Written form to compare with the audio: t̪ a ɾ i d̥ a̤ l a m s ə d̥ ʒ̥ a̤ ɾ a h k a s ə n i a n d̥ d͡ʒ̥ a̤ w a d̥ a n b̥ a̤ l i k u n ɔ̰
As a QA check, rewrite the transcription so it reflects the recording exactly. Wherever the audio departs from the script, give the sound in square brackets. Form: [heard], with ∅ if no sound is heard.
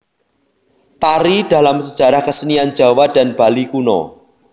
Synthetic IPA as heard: t̪ a ɾ i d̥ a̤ l a m s ə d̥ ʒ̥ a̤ ɾ a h k [ə] s ə n i a n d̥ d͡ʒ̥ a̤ w a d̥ a n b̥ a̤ l i k u n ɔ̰